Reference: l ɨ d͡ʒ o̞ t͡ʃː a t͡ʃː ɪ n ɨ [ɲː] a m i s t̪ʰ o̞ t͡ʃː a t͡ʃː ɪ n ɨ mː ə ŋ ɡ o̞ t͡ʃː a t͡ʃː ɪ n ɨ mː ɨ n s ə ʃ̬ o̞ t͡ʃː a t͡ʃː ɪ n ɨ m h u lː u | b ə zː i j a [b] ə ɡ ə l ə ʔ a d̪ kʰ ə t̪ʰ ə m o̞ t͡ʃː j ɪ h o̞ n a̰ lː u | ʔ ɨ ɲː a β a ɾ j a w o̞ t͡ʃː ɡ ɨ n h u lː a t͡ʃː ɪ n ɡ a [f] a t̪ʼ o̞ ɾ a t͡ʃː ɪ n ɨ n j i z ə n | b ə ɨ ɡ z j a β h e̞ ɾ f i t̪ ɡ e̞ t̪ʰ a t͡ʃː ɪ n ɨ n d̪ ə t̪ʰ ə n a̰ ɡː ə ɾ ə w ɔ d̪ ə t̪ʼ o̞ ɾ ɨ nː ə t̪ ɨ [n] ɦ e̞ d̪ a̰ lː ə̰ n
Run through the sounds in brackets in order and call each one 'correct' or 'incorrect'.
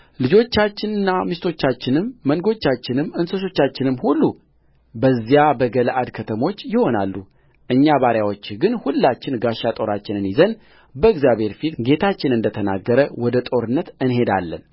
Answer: incorrect: nː, correct, incorrect: ʃ, correct

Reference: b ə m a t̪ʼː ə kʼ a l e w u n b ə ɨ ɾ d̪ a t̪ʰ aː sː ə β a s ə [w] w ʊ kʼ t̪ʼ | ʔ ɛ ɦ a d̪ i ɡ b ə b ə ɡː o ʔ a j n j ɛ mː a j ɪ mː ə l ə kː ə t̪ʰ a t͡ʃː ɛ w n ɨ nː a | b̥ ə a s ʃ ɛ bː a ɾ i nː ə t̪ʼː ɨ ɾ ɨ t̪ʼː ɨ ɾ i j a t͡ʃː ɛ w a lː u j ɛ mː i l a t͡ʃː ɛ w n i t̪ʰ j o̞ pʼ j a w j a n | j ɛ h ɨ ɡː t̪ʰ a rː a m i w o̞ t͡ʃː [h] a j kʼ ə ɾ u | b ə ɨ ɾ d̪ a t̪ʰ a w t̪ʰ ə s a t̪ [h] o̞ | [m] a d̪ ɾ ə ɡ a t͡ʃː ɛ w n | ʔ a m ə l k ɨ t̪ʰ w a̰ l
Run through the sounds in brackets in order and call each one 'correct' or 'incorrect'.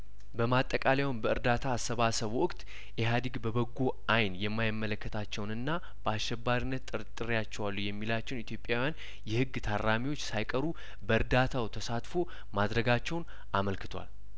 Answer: incorrect: β, incorrect: s, incorrect: f, correct

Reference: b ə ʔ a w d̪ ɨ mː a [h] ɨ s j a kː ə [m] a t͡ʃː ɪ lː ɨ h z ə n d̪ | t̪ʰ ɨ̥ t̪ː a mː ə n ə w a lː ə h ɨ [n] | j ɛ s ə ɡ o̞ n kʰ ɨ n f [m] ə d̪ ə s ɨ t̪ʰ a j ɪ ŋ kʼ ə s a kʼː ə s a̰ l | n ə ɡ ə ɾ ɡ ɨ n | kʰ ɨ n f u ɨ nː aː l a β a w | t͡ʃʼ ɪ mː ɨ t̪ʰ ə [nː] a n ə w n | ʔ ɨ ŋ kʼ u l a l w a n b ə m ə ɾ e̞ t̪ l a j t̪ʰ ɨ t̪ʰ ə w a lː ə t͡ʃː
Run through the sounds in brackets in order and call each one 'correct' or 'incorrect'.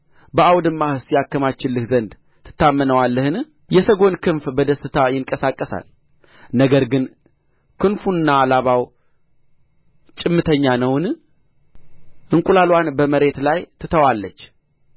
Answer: correct, correct, correct, incorrect: b, incorrect: ɲː

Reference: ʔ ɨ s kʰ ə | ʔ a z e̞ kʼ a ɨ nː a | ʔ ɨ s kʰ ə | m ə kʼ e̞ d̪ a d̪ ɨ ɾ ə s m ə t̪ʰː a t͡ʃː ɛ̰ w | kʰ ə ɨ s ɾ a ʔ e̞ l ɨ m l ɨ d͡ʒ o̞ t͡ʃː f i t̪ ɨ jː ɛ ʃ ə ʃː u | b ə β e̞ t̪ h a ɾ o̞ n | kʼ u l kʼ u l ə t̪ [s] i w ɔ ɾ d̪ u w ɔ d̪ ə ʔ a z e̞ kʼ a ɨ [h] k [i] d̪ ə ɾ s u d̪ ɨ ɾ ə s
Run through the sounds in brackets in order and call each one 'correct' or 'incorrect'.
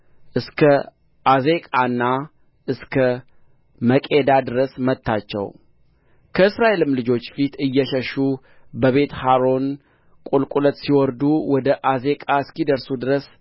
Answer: correct, incorrect: s, correct

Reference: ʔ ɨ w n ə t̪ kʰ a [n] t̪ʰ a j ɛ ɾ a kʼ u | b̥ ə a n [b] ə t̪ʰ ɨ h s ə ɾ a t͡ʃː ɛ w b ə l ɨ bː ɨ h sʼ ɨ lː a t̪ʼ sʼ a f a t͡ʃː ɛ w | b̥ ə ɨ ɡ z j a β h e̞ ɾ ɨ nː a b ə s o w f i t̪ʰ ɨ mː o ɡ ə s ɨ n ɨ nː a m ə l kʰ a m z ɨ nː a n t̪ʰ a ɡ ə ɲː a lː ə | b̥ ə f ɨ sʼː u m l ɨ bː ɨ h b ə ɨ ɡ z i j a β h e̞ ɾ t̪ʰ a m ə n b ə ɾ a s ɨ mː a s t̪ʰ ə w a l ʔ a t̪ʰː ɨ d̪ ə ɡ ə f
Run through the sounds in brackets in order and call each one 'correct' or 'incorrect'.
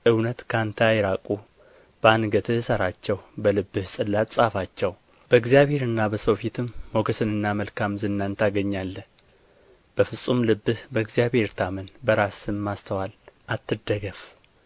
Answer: correct, incorrect: ɡ

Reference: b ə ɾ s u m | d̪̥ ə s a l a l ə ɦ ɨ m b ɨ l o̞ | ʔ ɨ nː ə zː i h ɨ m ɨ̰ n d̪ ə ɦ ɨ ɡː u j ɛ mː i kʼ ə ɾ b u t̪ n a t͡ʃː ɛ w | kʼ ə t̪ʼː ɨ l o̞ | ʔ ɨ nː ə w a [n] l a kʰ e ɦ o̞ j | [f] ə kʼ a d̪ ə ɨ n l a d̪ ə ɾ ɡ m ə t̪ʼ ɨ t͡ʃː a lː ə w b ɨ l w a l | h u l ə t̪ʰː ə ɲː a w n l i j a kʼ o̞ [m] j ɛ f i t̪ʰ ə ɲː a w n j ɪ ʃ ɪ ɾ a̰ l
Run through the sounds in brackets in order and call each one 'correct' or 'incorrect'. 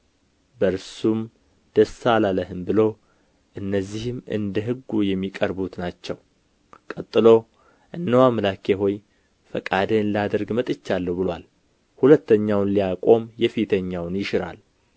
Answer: incorrect: m, correct, correct

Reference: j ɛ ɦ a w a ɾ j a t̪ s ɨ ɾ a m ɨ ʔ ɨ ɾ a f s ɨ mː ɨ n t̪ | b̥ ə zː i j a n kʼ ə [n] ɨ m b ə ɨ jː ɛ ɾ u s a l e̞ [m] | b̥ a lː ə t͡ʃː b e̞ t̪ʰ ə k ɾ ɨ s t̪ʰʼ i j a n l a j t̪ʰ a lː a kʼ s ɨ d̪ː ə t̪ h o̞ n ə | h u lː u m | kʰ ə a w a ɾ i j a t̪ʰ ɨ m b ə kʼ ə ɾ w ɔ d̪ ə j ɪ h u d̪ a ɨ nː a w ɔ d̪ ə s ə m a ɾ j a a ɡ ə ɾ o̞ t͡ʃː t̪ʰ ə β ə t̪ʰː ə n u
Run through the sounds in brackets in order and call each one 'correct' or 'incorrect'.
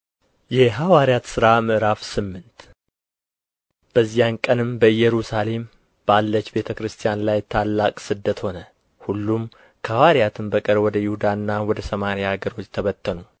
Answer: correct, correct

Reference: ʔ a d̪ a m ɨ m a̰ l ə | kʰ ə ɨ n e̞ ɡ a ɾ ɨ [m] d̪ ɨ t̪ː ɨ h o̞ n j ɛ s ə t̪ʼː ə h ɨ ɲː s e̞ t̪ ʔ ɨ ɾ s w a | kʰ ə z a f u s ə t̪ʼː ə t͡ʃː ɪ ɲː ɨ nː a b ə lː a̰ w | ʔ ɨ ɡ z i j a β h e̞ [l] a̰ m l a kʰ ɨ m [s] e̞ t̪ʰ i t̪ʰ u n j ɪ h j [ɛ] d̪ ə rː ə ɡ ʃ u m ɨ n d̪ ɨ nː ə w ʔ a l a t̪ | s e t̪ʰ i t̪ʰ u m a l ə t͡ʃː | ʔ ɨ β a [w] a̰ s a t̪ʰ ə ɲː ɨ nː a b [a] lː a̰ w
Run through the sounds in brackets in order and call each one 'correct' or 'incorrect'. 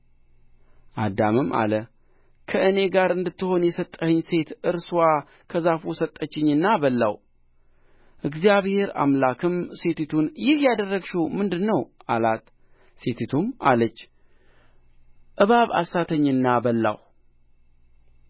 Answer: incorrect: n, incorrect: ɾ, correct, incorrect: a, incorrect: β, incorrect: ə

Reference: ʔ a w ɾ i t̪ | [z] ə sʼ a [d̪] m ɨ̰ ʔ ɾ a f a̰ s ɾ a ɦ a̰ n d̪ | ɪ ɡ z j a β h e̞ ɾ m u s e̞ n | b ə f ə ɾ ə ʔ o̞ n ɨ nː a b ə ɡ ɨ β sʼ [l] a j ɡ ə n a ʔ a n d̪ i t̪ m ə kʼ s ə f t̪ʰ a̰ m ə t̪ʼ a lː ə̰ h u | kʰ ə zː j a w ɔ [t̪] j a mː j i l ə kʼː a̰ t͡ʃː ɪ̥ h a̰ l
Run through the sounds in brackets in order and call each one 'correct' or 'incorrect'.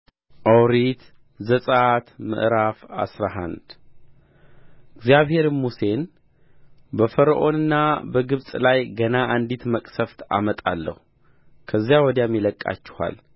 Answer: correct, incorrect: t̪, correct, incorrect: d̪

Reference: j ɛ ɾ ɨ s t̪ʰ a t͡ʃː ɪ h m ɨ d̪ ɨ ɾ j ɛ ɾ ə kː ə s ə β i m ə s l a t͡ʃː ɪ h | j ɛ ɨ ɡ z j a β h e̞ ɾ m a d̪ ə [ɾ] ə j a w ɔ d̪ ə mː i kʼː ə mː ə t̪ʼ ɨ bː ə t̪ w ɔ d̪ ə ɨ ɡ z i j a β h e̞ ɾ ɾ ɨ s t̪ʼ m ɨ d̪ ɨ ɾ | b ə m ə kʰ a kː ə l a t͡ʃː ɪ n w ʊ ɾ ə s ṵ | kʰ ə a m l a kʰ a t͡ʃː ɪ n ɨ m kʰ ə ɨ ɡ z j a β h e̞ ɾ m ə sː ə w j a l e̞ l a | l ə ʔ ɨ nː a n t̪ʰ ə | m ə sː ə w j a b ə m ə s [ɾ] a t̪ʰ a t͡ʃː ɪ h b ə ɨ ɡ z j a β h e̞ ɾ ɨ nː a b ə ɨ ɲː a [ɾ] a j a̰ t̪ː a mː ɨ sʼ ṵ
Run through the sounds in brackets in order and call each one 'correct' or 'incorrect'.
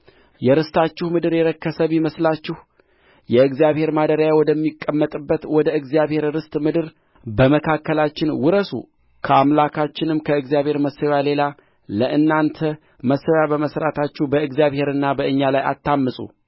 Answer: correct, correct, incorrect: l

